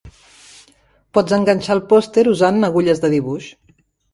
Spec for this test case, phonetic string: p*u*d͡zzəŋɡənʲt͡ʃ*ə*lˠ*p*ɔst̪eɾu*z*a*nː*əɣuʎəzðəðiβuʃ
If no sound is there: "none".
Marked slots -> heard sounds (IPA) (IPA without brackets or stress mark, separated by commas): ɔ, a, p, z, nː